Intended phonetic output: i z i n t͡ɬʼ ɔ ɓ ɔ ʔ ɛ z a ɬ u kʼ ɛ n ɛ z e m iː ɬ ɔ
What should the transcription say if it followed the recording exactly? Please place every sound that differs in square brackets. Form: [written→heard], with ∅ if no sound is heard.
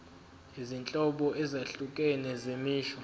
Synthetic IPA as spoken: i z i n t͡ɬʼ ɔ ɓ ɔ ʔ ɛ z a ɬ u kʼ ɛ n ɛ z e m iː ɬ ɔ